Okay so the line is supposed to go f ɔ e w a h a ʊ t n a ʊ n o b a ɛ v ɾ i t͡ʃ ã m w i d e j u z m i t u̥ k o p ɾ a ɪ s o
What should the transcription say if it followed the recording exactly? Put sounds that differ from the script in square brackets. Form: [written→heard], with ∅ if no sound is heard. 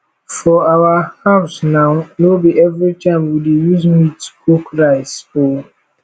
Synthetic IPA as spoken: f ɔ [e→a] w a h a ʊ [t→s] n a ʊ n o b [a→i] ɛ v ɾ i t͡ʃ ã m w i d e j u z m i t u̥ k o [p→k] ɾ a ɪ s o